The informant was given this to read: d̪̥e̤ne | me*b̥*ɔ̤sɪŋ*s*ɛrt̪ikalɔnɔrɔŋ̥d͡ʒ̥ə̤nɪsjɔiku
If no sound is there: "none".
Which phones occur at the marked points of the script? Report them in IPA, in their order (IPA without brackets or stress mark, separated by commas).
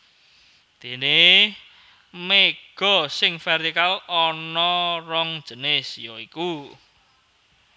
ɡ̥, f